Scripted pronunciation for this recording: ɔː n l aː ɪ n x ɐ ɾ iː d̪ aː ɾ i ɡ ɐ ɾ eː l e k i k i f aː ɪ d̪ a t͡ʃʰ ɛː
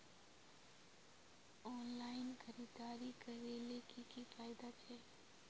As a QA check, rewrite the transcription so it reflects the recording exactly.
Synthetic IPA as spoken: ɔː n l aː ɪ n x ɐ ɾ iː d̪ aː ɾ i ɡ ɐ ɾ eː l e k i k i f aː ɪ d̪ a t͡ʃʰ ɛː